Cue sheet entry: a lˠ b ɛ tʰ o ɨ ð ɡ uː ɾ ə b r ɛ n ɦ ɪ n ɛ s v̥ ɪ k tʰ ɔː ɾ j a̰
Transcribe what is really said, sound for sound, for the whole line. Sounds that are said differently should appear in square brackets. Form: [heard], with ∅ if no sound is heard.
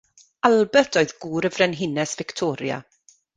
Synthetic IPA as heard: a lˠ b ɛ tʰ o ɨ ð ɡ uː ɾ ə [v] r ɛ n ɦ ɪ n ɛ s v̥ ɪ k tʰ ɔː ɾ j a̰